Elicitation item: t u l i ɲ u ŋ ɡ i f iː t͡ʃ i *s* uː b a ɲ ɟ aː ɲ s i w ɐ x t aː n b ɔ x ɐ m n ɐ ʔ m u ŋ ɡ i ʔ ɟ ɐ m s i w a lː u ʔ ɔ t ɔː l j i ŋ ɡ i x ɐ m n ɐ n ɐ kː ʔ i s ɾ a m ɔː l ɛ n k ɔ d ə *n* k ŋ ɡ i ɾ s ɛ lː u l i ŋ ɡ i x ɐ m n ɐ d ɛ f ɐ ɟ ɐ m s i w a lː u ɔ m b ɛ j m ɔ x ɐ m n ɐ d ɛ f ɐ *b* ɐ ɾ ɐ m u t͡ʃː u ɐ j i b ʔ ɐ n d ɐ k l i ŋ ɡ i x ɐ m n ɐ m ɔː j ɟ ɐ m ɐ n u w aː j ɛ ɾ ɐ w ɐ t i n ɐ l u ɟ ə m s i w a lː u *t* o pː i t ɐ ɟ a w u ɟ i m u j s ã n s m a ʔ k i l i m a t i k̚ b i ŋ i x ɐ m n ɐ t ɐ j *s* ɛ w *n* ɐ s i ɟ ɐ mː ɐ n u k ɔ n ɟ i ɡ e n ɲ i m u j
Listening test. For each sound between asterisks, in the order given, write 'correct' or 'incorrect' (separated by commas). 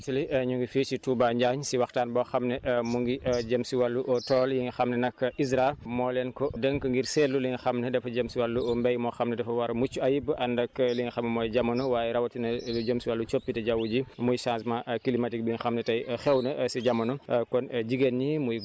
incorrect, incorrect, incorrect, incorrect, incorrect, correct